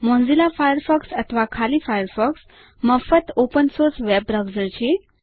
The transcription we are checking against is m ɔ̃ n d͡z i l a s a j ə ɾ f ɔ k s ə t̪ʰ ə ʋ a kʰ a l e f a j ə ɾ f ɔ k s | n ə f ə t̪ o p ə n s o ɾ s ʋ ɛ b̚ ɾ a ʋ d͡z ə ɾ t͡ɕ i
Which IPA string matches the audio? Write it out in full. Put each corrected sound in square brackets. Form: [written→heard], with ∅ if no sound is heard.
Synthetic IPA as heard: m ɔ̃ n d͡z i l a [s→f] a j ə ɾ f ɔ k s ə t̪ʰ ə ʋ a kʰ a l [e→i] f a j ə ɾ f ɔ k s | [n→m] ə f ə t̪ o p ə n s o ɾ s ʋ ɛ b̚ ɾ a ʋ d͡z ə ɾ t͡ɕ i

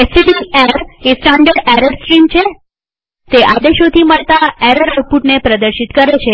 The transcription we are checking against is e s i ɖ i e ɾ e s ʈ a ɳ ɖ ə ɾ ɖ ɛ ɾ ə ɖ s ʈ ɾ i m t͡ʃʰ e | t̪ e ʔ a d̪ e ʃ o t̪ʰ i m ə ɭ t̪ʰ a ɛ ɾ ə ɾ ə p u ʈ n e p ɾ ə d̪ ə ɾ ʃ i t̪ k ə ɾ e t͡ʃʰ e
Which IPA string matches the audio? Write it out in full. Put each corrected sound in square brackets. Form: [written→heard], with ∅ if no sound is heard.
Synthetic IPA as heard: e s i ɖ i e ɾ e s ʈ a ɳ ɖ ə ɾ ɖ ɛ ɾ ə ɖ s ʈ ɾ i m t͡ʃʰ e | t̪ e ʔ a d̪ e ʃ o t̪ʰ i m ə ɭ [t̪ʰ→t̪] a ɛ ɾ ə ɾ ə p u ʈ n e p ɾ ə d̪ ə ɾ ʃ i t̪ k ə ɾ e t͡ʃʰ e

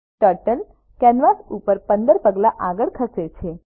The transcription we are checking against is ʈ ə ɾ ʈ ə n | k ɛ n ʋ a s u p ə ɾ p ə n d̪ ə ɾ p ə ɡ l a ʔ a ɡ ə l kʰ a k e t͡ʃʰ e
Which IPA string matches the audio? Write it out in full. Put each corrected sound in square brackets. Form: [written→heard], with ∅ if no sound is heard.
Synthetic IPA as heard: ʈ ə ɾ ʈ ə n | k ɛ n ʋ a s u p ə ɾ p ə n d̪ ə ɾ p ə ɡ l a ʔ a ɡ ə [l→ɭ] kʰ [a→ə] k e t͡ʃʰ e

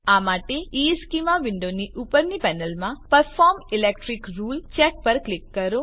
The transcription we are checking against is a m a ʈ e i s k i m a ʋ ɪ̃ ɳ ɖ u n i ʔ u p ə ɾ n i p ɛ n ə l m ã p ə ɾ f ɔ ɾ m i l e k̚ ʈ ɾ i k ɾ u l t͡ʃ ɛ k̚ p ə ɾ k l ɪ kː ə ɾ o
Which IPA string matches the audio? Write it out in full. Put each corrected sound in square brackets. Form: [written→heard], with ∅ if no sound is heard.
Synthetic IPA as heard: a m a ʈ e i s k i m a ʋ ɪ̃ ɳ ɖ [u→o] n i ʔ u p ə ɾ n i p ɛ n ə l m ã p ə ɾ f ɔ ɾ m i l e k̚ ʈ ɾ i k ɾ u l t͡ʃ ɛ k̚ p ə ɾ k l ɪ kː ə ɾ o

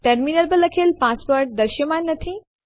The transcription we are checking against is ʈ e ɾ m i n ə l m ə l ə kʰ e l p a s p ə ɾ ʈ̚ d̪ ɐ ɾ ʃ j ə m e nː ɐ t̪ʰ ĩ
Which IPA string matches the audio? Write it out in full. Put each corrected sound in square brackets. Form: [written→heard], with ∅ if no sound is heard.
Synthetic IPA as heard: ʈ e ɾ m i n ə l [m→b] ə l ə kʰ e l p a s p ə ɾ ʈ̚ d̪ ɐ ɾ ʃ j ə m [e→a] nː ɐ t̪ʰ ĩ

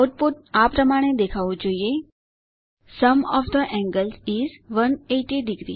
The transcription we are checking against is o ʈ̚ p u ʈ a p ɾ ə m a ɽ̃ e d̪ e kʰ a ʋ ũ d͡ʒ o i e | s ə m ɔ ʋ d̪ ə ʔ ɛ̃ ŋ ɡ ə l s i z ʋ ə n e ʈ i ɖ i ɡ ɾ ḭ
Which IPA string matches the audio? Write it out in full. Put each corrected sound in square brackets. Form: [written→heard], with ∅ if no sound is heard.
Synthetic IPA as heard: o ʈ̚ p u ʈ a p ɾ ə m a ɽ̃ e d̪ e kʰ a ʋ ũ d͡ʒ o i e | s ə m ɔ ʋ d̪ ə ʔ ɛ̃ ŋ ɡ ə l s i z ʋ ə n e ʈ i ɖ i ɡ ɾ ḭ

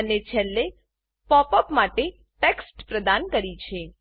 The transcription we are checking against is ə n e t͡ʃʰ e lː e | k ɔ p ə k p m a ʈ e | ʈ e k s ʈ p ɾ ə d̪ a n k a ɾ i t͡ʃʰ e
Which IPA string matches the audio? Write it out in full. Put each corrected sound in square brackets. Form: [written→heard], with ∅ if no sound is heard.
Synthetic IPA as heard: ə n e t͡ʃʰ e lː e | [k→p] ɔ p ə [k→∅] p m a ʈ e | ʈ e k s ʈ p ɾ ə d̪ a n k [a→ə] ɾ i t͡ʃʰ e

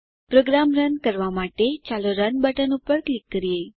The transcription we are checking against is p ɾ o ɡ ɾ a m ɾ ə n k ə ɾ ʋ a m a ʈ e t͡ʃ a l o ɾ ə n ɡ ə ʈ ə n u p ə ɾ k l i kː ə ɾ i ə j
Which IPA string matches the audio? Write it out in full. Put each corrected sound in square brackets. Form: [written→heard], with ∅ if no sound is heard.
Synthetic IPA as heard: p ɾ o ɡ ɾ a m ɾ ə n k ə ɾ ʋ a m a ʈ e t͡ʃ a l o ɾ ə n [ɡ→b] ə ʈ ə n u p ə ɾ k l i kː ə ɾ i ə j

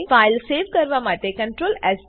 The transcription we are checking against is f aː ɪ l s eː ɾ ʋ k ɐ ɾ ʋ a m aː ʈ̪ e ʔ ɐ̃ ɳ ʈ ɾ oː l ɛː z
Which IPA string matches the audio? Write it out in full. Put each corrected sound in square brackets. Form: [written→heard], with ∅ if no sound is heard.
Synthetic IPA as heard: f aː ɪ l s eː [ɾ→∅] ʋ k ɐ ɾ ʋ a m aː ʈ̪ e [ʔ→k] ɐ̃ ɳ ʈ ɾ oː l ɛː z

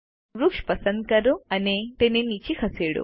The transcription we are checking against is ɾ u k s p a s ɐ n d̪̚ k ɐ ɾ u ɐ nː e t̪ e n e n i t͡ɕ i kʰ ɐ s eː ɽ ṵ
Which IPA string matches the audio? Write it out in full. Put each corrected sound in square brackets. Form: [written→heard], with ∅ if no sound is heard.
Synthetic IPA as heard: ɾ u k [s→ʂ] p [a→ɐ] s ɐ n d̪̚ k ɐ ɾ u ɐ [nː→n] e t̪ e n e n i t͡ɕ i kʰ ɐ s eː ɽ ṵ

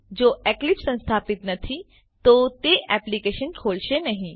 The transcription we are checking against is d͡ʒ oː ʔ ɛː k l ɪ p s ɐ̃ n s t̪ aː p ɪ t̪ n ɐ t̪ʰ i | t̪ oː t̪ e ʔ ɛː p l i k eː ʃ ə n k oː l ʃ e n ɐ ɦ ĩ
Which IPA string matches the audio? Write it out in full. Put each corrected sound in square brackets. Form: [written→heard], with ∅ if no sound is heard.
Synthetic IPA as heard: d͡ʒ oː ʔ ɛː k l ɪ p s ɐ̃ n s [t̪→t̪ʰ] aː p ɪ t̪ n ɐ t̪ʰ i | t̪ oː t̪ e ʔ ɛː p l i k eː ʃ ə n [k→kʰ] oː l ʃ e n ɐ ɦ ĩ

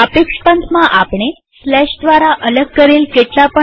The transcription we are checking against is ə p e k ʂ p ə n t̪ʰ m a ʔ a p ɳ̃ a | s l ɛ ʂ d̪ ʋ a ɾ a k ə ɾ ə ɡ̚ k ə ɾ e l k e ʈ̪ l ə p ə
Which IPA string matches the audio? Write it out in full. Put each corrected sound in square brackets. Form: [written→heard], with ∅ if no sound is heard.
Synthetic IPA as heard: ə p e k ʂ p ə n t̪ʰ m a ʔ a p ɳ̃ [a→e] | s l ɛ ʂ d̪ ʋ a ɾ a [k→ʔ] ə [ɾ→l] ə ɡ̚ k ə ɾ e l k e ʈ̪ l [ə→a] p ə

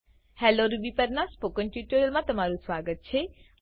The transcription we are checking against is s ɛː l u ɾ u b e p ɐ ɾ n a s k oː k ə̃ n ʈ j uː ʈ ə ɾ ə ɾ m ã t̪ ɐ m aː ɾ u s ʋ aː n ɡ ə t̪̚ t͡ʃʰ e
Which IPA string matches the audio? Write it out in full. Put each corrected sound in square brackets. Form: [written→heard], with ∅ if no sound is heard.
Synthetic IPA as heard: [s→h] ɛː l [u→o] ɾ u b [e→i] p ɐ ɾ n a s [k→p] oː k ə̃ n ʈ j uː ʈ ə ɾ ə [ɾ→l] m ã t̪ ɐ m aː ɾ u s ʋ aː [n→∅] ɡ ə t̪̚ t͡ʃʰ e

